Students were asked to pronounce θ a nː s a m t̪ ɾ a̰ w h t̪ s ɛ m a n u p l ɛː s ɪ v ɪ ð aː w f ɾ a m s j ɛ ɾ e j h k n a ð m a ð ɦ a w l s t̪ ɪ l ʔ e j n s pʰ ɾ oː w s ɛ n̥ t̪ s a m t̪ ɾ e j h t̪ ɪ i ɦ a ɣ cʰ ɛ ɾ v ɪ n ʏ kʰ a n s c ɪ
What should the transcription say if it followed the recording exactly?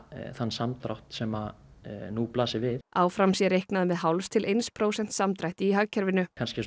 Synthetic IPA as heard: θ a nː s a m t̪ ɾ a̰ w h t̪ s ɛ m a n u p l aː s ɪ v ɪ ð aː w f ɾ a m s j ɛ ɾ e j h k n a ð m ɛ ð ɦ a w l s t̪ʰ ɪ l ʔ e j n s pʰ ɾ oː w s ɛ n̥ t̪ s a m t̪ ɾ a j h t̪ ɪ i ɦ a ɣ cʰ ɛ ɾ v ɪ n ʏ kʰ a n s c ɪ